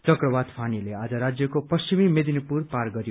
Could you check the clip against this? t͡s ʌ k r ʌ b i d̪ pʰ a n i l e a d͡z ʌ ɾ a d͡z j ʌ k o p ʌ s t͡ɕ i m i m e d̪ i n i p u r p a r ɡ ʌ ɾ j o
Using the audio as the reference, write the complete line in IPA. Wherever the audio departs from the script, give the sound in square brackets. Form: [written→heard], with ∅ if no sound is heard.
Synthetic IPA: t͡s ʌ k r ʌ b [i→a] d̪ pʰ a n i l e a d͡z ʌ ɾ a d͡z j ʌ k o p ʌ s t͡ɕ i m i m e d̪ i n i p u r p a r ɡ ʌ ɾ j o